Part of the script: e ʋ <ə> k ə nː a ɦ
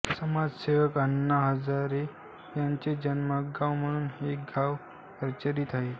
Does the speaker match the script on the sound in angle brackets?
yes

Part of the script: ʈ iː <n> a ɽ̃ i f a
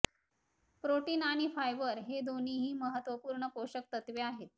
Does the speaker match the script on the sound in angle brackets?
yes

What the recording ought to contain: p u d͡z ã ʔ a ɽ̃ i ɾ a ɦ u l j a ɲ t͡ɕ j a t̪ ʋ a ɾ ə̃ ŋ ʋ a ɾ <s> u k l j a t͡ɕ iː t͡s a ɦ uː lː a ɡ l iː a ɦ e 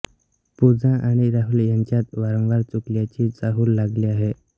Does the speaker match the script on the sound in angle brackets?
no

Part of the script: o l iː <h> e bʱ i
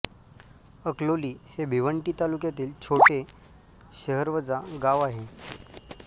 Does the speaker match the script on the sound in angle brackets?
yes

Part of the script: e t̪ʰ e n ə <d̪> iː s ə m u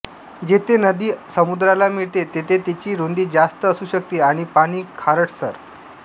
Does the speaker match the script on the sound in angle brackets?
yes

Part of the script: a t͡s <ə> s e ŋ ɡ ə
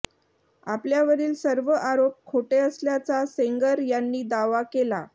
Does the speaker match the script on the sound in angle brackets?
no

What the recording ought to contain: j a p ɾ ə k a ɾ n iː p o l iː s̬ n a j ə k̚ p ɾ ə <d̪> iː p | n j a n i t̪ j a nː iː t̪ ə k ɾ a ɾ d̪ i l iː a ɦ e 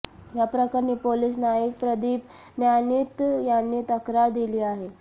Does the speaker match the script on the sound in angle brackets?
yes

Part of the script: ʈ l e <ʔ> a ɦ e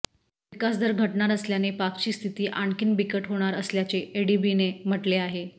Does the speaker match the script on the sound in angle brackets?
no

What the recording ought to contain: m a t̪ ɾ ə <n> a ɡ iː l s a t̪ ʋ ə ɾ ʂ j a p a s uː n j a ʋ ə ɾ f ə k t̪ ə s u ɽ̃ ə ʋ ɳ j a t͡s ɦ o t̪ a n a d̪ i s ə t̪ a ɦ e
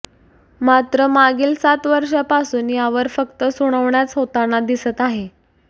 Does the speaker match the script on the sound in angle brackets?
no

